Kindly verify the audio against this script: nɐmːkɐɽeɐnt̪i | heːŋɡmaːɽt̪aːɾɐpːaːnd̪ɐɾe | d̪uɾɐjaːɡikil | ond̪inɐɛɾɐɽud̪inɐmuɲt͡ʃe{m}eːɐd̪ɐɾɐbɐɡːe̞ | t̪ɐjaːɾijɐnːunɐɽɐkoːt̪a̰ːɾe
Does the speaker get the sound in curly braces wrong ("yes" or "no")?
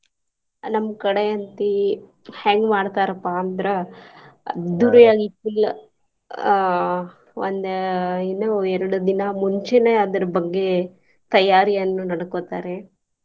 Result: yes